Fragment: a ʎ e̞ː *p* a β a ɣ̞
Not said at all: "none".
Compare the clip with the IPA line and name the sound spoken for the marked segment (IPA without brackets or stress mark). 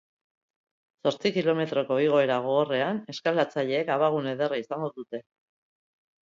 k